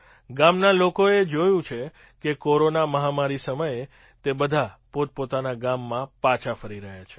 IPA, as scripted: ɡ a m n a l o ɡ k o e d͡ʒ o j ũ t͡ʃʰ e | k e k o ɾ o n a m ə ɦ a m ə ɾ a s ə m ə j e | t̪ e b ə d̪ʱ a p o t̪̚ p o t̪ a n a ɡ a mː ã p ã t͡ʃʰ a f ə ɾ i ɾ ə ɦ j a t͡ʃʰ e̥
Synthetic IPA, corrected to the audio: ɡ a m n a l o k o e d͡ʒ o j ũ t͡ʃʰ e | k e k o ɾ o n a m ə ɦ a m a ɾ i s ə m ə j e | t̪ e b ə d̪ʱ a p o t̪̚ p o t̪ a n a ɡ a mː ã p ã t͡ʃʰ a f ə ɾ i ɾ ə ɦ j a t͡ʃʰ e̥